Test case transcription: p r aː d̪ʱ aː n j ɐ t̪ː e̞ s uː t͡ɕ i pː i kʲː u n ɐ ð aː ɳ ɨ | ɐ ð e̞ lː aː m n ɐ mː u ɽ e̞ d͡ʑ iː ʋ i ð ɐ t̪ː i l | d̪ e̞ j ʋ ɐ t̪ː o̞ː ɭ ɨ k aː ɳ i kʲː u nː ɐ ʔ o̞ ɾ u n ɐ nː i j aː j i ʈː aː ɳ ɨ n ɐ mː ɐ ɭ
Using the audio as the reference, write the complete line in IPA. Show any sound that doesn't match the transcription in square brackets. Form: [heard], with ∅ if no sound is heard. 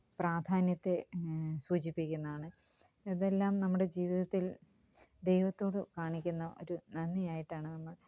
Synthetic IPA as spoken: p r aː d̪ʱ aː n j ɐ t̪ː e̞ s uː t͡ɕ i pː i kʲː u [nː] ɐ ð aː ɳ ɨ | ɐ ð e̞ lː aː m n ɐ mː u ɽ e̞ d͡ʑ iː ʋ i ð ɐ t̪ː i l | d̪ e̞ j ʋ ɐ t̪ː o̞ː [ɽ] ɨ k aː ɳ i kʲː u nː ɐ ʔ o̞ ɾ u n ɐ nː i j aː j i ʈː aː ɳ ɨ n ɐ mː ɐ ɭ